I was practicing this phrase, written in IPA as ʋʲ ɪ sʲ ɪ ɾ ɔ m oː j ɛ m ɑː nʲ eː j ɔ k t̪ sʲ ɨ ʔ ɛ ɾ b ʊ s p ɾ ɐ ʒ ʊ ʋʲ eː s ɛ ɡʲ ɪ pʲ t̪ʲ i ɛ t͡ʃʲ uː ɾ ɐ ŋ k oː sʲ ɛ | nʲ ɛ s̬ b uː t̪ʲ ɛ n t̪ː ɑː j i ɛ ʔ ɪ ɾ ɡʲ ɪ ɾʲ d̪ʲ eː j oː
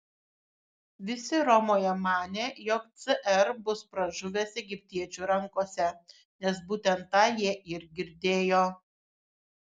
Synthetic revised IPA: ʋʲ ɪ sʲ ɪ ɾ ɔ m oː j ɛ m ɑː nʲ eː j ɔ k t̪ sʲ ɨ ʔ ɛ ɾ b ʊ s p ɾ ɐ ʒ ʊ ʋʲ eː s ɛ ɡʲ ɪ pʲ t̪ʲ i ɛ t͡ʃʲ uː ɾ ɐ ŋ k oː sʲ ɛ | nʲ ɛ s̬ b uː t̪ʲ ɛ n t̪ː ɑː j i ɛ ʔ ɪ ɾ ɡʲ ɪ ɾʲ d̪ʲ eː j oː